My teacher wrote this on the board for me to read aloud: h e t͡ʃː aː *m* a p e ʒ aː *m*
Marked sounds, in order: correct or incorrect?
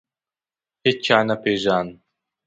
incorrect, incorrect

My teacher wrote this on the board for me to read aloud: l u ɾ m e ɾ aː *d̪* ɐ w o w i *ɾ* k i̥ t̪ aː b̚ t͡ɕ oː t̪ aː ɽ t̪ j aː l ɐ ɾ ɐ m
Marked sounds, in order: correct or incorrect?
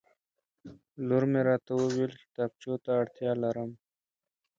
incorrect, incorrect

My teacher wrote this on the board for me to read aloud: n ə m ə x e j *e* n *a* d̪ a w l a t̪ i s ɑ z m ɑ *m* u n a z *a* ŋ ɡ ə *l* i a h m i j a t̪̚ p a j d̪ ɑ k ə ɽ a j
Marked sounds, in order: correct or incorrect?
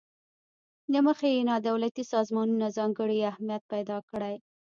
correct, incorrect, incorrect, incorrect, incorrect

